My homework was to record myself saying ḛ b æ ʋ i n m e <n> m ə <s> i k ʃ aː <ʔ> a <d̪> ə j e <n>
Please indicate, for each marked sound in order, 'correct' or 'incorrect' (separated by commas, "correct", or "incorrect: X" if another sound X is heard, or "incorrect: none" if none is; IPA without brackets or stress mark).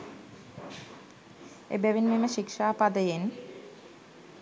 incorrect: none, incorrect: ʃ, incorrect: p, correct, correct